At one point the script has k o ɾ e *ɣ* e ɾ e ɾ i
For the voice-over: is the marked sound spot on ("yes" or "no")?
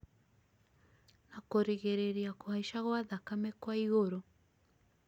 yes